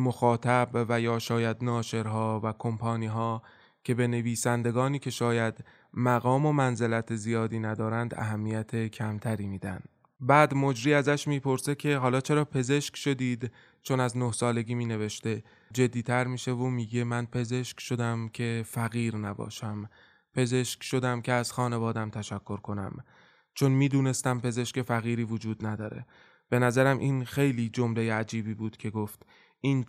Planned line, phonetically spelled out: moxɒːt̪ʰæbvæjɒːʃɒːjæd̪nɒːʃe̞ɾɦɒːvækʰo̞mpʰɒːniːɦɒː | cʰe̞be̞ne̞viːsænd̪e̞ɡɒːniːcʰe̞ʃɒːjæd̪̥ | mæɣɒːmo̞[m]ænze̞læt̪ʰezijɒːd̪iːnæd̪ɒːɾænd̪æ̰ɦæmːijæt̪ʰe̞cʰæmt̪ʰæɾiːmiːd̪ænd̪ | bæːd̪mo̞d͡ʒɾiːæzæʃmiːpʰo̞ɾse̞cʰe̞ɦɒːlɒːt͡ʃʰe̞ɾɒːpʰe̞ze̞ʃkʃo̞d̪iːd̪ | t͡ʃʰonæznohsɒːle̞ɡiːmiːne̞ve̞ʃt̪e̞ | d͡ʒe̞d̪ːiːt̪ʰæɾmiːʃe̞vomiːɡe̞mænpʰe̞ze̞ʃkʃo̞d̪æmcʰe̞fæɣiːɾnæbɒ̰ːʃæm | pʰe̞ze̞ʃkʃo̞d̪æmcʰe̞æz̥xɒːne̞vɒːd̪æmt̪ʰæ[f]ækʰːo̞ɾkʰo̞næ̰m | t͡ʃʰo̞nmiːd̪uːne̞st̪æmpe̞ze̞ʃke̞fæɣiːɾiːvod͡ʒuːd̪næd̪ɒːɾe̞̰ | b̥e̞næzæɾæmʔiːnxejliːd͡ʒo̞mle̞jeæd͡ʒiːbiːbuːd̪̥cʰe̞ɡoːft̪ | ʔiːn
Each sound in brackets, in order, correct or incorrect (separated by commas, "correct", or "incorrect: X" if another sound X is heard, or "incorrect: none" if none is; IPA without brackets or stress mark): correct, incorrect: ʃ